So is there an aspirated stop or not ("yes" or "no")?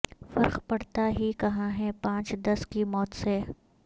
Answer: no